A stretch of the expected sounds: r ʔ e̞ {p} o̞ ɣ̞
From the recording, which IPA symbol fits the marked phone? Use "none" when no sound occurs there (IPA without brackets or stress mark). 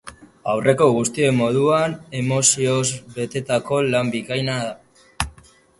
k